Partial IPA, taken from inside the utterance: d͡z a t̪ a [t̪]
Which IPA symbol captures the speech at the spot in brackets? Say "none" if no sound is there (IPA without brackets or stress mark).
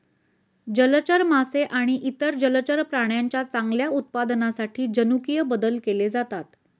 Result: t̪